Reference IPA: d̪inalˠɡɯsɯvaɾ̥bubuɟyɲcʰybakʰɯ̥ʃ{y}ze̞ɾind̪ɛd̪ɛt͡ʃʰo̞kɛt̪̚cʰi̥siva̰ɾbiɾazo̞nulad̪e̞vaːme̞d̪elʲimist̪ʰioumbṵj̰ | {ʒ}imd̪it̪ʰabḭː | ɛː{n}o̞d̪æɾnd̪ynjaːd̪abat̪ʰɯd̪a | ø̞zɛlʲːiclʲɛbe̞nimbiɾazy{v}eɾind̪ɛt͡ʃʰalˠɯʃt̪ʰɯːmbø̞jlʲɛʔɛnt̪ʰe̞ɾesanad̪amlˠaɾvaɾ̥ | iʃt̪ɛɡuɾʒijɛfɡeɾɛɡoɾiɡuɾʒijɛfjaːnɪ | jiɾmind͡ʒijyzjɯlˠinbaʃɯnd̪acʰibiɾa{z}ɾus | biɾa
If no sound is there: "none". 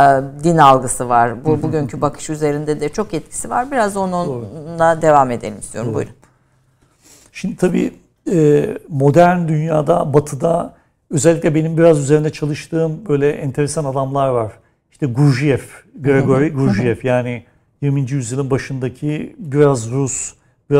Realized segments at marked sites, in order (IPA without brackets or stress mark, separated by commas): y, ʃ, m, z, z